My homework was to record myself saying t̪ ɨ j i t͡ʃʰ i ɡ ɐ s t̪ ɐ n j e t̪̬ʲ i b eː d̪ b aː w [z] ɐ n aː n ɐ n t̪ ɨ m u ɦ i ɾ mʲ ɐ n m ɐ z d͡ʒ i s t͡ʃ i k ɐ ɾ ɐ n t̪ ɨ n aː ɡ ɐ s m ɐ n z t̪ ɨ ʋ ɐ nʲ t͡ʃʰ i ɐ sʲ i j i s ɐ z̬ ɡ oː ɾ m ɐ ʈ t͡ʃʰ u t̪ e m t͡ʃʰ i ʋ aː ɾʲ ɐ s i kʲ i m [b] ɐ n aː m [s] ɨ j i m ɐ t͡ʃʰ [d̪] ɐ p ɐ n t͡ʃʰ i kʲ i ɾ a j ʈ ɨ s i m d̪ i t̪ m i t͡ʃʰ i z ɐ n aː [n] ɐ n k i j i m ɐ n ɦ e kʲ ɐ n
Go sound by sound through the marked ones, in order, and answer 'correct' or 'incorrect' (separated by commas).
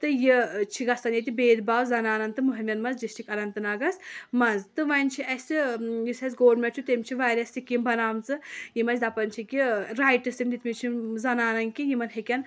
correct, correct, incorrect, correct, correct